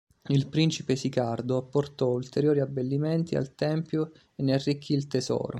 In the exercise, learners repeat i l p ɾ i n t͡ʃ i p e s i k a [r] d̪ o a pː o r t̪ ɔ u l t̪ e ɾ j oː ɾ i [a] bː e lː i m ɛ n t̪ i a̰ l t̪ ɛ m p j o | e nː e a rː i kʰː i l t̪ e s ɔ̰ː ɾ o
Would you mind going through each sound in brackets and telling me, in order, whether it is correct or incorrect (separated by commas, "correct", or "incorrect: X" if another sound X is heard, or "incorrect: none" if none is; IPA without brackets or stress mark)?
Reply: correct, correct